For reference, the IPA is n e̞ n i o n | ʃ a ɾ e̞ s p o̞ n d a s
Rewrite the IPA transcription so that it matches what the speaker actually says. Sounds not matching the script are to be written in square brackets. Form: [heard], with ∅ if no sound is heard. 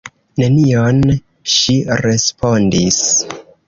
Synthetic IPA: n e̞ n i o n | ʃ [i] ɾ e̞ s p o̞ n d [i] s